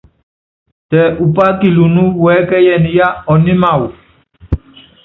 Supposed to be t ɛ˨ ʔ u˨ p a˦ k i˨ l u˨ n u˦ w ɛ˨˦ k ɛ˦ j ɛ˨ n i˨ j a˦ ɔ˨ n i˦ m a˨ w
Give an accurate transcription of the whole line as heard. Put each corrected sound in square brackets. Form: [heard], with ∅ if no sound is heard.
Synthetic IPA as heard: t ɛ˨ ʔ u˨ p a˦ k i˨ l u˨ n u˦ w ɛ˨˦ k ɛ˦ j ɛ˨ n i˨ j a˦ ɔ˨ n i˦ m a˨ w

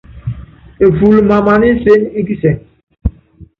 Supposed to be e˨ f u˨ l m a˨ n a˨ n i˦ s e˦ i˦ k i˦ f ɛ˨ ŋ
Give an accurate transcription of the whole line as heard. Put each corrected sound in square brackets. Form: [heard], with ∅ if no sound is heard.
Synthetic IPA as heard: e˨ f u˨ l m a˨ [m] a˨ n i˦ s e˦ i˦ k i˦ [s] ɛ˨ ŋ

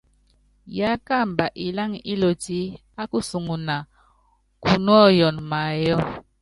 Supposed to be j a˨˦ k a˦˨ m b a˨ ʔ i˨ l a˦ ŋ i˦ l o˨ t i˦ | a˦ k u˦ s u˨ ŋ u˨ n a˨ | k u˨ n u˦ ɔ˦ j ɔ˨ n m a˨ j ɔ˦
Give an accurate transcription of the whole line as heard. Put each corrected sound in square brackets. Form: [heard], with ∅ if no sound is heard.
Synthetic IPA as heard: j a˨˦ k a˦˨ m b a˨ ʔ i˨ l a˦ ŋ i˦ l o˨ t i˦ | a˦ k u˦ s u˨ ŋ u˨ n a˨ | k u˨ n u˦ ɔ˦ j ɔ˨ n m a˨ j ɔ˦

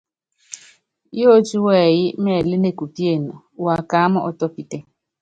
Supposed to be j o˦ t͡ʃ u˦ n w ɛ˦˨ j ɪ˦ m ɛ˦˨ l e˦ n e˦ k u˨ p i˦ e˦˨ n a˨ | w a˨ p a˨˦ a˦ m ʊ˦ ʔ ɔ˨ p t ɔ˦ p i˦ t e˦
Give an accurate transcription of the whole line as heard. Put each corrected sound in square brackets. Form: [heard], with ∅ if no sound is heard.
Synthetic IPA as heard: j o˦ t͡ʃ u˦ [∅] w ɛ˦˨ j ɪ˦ m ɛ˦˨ l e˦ n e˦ k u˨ p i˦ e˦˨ n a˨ | w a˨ [k] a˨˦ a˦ m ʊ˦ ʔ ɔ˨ [∅] t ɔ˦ p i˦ t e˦

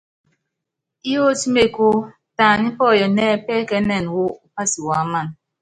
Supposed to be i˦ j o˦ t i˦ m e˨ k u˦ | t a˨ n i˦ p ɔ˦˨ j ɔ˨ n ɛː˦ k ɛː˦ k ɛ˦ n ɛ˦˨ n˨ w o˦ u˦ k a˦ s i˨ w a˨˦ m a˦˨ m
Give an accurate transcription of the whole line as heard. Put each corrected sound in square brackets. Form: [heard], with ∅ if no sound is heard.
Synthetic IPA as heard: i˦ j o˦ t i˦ m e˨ k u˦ | t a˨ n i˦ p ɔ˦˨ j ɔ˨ n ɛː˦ [p] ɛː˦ k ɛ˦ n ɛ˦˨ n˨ w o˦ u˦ [p] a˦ s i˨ w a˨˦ m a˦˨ [n]

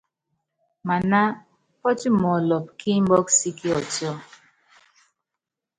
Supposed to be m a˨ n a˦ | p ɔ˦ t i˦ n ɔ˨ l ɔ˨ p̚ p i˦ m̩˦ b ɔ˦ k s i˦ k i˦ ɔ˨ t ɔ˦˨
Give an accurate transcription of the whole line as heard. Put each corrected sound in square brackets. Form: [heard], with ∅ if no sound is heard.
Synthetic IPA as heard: m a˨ n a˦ | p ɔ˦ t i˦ [m] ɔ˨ l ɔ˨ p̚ [k] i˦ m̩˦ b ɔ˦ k s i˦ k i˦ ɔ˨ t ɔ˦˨

